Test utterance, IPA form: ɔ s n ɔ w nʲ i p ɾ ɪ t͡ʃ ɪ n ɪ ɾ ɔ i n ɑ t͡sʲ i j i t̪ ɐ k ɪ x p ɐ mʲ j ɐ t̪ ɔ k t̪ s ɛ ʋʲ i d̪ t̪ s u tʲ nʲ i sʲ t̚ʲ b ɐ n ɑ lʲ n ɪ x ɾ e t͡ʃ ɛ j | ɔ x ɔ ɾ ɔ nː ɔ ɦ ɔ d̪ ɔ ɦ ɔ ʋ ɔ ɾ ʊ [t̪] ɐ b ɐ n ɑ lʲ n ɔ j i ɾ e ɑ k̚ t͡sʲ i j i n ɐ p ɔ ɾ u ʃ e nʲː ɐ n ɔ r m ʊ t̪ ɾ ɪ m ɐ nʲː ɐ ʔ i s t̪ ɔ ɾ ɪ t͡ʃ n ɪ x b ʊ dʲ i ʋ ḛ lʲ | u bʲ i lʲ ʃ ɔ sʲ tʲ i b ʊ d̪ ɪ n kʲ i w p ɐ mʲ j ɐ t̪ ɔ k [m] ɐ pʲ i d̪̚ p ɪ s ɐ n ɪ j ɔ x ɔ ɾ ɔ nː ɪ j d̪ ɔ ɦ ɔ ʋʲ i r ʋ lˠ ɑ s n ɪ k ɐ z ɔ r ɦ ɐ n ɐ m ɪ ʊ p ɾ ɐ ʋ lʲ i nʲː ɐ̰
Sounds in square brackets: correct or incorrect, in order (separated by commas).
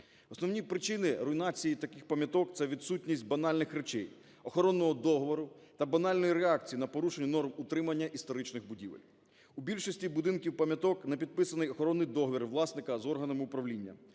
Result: correct, incorrect